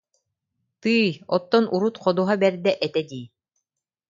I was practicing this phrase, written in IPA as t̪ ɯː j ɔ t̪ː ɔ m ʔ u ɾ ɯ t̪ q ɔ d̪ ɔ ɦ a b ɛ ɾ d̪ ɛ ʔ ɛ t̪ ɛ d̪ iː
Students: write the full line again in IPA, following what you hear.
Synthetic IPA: t̪ ɯː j ɔ t̪ː ɔ n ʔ u ɾ u t̪ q ɔ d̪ u ɦ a b ɛ ɾ d̪ ɛ ʔ ɛ t̪ ɛ d̪ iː

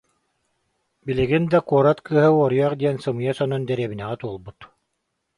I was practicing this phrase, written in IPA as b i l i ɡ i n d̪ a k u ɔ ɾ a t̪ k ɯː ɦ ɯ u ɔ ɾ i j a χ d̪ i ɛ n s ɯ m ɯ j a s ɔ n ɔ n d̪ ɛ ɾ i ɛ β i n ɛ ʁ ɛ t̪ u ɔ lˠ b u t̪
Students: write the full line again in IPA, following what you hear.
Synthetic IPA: b i l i ɡ i n d̪ a k u ɔ ɾ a t̪ k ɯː ɦ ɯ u ɔ ɾ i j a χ d̪ i ɛ n s ɯ m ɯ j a s ɔ n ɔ n d̪ ɛ ɾ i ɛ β i n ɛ ʁ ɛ t̪ u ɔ lˠ b u t̪

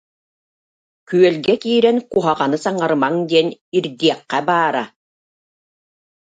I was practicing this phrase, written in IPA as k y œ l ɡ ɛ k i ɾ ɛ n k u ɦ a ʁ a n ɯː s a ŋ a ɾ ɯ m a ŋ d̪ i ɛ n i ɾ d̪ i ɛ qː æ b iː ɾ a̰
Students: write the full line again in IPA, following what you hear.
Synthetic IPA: k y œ l ɡ ɛ k iː ɾ ɛ n k u ɦ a ʁ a n ɯ s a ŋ a ɾ ɯ m a ŋ d̪ i ɛ n i ɾ d̪ i ɛ qː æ b aː ɾ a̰

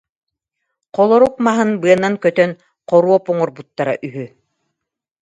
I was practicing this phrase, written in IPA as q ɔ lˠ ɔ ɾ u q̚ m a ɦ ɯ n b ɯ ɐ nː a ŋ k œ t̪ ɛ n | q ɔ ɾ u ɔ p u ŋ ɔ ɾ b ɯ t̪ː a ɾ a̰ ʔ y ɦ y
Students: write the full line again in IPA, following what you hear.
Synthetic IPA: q ɔ lˠ ɔ ɾ u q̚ m a ɦ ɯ n b ɯ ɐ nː a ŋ k œ t̪ œ n | q ɔ ɾ u ɔ p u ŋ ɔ ɾ b u t̪ː a ɾ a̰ ʔ y ɦ y

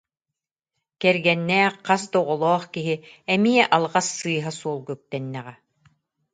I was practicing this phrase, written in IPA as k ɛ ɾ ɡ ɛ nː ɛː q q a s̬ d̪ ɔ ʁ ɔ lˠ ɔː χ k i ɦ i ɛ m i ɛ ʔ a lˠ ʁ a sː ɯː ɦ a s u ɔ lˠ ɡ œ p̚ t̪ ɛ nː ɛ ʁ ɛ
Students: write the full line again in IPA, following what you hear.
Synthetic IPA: k ɛ ɾ ɡ ɛ nː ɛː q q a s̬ d̪ ɔ ʁ ɔ lˠ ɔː χ k i ɦ i ɛ m i ɛ ʔ a lˠ ʁ a sː ɯː ɦ a s u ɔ lˠ ɡ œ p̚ t̪ ɛ nː ɛ ʁ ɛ

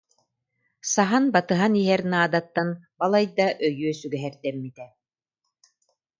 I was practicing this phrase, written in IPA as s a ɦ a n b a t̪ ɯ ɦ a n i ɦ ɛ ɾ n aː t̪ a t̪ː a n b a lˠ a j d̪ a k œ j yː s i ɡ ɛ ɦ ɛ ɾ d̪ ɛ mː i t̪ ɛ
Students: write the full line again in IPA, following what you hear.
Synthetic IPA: s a ɦ a n b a t̪ ɯ ɦ a n i ɦ ɛ ɾ n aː d̪ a t̪ː a n b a lˠ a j d̪ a ʔ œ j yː s y ɡ ɛ ɦ ɛ ɾ d̪ ɛ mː i t̪ ɛ

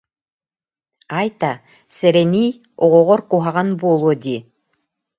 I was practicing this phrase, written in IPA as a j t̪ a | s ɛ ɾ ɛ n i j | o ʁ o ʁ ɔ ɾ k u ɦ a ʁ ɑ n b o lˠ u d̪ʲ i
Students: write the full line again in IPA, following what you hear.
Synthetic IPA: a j t̪ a | s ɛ ɾ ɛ n i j | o ʁ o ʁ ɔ ɾ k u ɦ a ʁ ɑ n b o lˠ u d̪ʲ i

